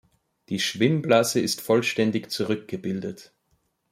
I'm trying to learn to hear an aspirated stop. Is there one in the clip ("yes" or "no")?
no